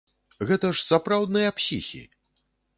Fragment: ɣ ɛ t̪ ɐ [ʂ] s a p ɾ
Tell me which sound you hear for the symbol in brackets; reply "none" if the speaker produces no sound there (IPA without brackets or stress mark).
ʂ